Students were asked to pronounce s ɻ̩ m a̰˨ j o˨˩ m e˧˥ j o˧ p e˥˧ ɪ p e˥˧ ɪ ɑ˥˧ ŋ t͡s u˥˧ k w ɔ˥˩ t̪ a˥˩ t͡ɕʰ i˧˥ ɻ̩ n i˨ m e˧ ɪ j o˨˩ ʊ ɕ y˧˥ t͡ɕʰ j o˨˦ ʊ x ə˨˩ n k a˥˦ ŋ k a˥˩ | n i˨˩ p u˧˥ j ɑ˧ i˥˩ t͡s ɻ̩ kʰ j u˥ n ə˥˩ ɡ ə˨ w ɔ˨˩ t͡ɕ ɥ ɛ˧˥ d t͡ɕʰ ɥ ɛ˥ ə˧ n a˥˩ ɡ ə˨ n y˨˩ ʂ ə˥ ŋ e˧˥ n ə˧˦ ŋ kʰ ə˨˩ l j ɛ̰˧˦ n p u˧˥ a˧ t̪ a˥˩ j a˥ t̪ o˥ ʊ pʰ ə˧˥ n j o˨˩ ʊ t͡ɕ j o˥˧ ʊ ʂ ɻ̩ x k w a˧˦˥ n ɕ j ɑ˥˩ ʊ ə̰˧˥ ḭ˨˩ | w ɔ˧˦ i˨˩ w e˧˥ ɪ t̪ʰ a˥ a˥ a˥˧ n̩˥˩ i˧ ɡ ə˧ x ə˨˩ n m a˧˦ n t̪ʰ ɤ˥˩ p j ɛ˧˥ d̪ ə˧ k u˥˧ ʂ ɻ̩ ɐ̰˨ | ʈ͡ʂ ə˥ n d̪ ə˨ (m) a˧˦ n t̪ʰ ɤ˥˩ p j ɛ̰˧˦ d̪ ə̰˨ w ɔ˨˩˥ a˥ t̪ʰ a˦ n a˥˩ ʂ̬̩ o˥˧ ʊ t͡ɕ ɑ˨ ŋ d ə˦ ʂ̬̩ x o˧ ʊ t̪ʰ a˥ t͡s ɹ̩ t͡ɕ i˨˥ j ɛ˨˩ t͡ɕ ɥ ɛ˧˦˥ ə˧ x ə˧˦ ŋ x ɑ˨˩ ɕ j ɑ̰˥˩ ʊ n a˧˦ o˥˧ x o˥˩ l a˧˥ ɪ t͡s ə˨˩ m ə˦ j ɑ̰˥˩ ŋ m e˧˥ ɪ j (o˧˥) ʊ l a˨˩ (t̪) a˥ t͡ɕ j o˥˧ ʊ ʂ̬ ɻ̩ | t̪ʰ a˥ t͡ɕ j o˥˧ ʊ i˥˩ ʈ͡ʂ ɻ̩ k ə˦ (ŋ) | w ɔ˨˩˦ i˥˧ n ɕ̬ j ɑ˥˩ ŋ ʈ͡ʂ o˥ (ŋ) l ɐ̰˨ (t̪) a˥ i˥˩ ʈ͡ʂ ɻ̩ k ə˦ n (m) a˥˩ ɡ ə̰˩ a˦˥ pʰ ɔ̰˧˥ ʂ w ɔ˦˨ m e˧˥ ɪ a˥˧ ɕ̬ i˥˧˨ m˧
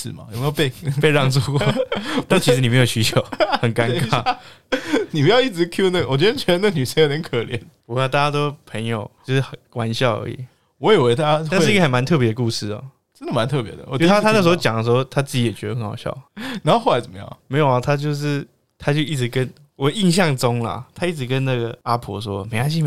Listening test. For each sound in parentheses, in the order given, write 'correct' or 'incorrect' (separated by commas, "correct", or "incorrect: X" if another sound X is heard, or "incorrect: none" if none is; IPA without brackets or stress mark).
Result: correct, incorrect: o˨˩, incorrect: t̪ʰ, incorrect: n, correct, incorrect: t̪ʰ, incorrect: n